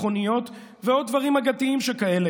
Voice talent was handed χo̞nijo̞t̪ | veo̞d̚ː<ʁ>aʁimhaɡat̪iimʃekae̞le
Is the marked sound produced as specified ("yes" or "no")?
no